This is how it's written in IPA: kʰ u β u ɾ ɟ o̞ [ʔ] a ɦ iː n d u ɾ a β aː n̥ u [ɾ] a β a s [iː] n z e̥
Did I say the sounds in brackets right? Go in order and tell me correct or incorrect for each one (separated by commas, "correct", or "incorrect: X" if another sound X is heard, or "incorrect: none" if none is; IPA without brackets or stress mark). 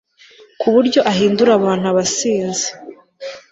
correct, incorrect: none, correct